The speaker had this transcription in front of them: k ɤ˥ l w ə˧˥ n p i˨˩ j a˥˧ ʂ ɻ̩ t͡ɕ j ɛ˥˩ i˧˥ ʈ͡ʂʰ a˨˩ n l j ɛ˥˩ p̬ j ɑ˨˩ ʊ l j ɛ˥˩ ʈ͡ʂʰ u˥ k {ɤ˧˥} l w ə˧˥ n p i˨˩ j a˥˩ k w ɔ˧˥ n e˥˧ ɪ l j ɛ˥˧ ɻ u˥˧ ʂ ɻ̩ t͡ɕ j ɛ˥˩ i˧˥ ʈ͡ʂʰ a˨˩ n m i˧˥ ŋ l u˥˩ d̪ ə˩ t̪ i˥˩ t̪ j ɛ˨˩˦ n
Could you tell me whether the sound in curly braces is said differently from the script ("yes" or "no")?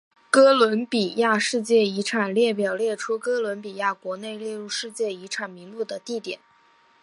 yes